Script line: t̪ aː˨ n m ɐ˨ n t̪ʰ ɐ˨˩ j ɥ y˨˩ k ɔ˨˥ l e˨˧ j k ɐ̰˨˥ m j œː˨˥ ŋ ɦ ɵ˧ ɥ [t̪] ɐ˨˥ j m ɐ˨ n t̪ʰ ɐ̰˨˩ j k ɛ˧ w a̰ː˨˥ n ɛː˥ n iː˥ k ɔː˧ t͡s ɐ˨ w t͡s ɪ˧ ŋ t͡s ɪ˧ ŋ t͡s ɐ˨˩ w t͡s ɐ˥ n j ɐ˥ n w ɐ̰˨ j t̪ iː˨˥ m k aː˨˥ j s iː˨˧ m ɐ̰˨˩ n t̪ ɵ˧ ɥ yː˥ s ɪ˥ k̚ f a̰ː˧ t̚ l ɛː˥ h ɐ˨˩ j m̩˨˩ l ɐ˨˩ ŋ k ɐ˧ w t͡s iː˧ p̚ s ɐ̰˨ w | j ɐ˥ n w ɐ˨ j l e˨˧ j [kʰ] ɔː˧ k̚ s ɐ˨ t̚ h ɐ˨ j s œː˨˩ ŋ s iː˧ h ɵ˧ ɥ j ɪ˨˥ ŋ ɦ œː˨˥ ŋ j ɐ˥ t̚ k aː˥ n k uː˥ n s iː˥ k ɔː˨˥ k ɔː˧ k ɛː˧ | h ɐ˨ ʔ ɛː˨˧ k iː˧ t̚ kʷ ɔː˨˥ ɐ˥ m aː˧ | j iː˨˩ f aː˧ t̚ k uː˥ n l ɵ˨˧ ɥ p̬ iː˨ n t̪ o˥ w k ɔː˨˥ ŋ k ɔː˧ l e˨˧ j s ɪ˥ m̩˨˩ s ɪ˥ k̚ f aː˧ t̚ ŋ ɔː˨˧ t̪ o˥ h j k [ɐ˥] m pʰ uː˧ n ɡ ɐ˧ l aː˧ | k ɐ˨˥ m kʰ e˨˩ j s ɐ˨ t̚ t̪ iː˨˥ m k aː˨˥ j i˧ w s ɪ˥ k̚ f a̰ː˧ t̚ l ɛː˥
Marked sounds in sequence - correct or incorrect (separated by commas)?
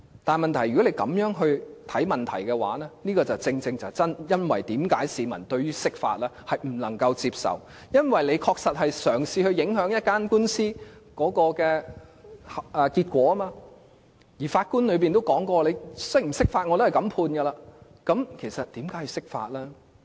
incorrect, correct, incorrect